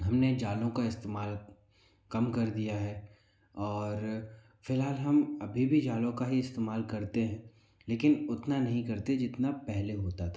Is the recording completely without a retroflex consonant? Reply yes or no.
yes